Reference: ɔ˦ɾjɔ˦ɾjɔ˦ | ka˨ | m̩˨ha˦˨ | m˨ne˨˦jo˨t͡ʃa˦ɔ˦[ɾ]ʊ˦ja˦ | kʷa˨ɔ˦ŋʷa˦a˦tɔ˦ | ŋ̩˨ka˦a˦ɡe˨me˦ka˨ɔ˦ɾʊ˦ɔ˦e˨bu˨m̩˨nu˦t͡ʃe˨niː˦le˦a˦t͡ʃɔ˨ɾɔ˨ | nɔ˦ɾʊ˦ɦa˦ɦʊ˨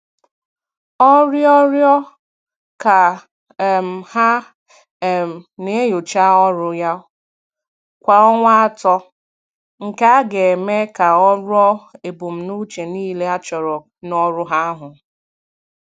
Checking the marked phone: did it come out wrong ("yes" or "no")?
no